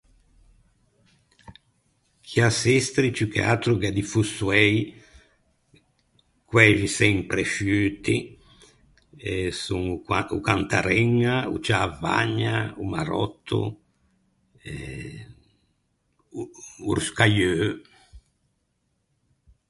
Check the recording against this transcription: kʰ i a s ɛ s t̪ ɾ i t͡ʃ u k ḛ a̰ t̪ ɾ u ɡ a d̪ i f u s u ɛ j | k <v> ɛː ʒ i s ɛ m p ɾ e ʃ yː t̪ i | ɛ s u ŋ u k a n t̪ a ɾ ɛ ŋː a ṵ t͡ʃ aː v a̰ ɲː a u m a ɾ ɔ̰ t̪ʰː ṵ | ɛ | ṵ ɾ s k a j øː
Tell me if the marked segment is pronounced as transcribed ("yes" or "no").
no